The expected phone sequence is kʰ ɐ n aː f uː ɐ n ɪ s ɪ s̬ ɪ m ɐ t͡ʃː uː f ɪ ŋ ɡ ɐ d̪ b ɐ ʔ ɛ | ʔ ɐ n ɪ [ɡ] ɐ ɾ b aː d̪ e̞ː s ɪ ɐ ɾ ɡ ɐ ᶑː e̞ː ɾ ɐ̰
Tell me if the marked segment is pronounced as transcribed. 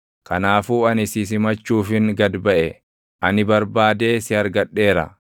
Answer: no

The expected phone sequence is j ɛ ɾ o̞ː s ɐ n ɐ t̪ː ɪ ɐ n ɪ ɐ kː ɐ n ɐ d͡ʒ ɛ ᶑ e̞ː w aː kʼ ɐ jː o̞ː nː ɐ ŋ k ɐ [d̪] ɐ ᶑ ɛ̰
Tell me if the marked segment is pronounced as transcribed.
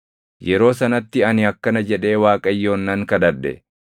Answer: yes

